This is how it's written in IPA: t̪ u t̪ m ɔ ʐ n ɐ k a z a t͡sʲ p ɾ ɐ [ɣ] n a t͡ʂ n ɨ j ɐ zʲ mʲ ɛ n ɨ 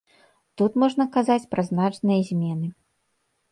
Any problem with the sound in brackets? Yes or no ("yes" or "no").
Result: yes